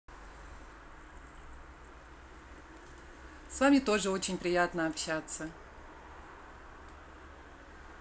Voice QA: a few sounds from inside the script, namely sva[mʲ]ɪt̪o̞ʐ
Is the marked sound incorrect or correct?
correct